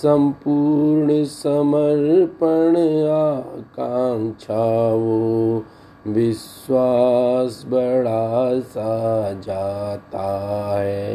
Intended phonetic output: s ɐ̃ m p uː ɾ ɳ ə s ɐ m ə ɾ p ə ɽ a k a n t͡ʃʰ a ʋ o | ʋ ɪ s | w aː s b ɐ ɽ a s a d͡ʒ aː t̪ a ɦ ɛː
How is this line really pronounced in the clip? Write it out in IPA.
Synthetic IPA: s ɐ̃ m p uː ɾ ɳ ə s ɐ m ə ɾ p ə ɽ a k a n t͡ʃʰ a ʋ o | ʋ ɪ s | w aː s b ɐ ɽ a s a d͡ʒ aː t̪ a ɦ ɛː